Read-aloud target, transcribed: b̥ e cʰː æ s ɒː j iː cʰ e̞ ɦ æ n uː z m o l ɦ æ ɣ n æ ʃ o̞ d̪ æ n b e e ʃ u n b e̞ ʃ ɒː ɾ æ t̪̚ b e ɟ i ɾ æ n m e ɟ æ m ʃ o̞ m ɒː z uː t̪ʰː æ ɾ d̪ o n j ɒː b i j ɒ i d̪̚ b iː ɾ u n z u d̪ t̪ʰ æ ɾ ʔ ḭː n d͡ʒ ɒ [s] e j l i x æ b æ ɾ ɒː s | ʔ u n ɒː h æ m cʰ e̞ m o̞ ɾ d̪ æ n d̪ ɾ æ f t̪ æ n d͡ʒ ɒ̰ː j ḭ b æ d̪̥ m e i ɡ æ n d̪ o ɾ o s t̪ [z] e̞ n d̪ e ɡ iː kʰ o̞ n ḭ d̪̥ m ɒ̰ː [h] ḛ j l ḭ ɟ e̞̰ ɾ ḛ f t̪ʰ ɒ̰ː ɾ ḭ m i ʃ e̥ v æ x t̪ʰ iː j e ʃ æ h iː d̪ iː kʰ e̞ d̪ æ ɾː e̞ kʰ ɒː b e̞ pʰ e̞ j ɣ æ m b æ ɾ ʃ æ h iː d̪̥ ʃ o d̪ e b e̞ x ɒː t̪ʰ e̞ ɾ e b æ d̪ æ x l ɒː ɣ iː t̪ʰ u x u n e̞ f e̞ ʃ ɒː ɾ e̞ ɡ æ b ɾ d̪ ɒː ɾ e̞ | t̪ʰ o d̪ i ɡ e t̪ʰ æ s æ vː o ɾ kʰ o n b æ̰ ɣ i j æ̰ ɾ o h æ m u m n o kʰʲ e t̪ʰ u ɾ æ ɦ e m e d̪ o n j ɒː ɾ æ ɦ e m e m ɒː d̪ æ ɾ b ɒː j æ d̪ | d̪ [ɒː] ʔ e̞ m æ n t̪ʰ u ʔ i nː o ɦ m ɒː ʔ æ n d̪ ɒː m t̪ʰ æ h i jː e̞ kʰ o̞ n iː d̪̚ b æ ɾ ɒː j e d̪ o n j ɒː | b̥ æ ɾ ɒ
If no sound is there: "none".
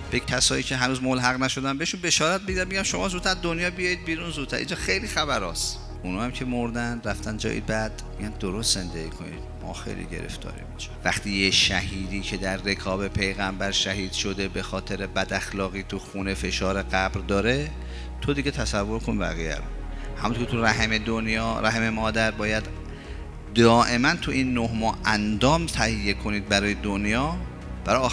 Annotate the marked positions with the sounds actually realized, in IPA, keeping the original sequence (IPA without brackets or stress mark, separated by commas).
x, z, x, ɒː